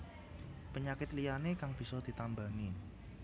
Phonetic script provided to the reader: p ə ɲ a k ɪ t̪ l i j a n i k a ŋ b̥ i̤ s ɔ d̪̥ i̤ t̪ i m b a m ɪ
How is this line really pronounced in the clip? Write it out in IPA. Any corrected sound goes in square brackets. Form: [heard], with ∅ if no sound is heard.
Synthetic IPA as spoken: p ə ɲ a k ɪ t̪ l i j a n [e] k a ŋ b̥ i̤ s ɔ d̪̥ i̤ t̪ [a] m b a [ŋ] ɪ